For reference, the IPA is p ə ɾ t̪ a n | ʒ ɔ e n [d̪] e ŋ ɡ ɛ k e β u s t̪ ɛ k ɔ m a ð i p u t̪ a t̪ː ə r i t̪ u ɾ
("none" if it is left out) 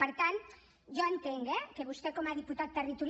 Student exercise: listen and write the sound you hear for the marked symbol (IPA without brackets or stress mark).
t̪